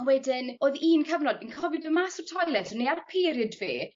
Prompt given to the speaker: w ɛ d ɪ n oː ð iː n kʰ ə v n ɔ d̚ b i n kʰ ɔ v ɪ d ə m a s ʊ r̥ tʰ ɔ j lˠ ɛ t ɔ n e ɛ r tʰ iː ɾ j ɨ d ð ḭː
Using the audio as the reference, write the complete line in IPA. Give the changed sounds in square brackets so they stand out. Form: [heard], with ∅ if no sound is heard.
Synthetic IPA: w ɛ d ɪ n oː ð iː n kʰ ə v n ɔ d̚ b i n kʰ ɔ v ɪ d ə m a s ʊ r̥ tʰ ɔ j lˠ ɛ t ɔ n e [a] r [pʰ] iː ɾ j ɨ d [v] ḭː